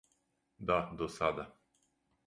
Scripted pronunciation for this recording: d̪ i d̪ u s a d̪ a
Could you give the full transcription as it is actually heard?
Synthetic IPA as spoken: d̪ a d̪ o s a d̪ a

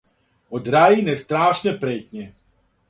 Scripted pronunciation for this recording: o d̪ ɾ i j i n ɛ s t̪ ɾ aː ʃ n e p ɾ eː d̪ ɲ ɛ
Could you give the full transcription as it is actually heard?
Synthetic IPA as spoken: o d̪ ɾ a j i n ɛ s t̪ ɾ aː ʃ n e p ɾ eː t̪ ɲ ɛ

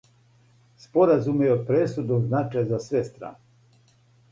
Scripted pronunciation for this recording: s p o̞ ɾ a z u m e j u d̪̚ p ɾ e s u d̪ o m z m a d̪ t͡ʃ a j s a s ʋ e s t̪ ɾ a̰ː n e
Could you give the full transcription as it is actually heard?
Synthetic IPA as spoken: s p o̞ ɾ a z u m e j o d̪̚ p ɾ e s u d̪ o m z n a t͡ʃ a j z a s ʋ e s t̪ ɾ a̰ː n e

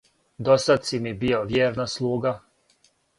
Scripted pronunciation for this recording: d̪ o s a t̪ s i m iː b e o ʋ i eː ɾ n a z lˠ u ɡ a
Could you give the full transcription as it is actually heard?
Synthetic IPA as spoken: d̪ o s a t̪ s i m i b i o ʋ j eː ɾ n a s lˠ uː ɡ a

